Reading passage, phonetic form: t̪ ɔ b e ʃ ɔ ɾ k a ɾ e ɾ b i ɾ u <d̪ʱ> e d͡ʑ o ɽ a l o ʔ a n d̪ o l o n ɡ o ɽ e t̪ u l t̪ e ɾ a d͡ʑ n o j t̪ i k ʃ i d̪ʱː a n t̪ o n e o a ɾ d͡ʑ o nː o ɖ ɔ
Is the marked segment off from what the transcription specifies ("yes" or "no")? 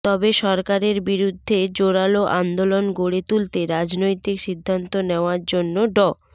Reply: yes